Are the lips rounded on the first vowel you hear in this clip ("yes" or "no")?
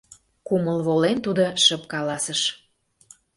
yes